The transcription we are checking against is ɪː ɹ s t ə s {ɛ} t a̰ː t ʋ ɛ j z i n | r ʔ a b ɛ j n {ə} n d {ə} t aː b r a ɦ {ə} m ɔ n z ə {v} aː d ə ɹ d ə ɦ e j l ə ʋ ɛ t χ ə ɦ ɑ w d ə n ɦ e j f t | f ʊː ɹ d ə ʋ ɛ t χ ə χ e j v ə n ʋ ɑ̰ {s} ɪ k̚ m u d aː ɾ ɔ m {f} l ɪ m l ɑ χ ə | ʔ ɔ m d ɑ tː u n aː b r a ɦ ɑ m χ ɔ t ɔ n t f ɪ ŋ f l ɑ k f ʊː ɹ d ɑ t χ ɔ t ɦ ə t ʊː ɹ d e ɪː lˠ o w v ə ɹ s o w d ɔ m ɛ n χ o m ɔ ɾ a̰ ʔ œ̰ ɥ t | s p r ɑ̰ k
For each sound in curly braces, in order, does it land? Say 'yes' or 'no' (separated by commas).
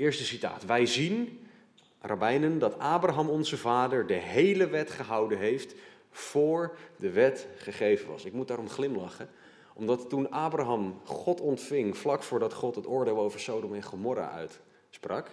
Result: no, yes, no, no, yes, yes, no